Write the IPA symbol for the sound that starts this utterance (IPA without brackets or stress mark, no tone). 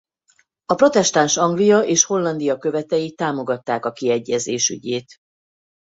ɒ